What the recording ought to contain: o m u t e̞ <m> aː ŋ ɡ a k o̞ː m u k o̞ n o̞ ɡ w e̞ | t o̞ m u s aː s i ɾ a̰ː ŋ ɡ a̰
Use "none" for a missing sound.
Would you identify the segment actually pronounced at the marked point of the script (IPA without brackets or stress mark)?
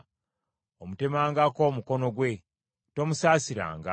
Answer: m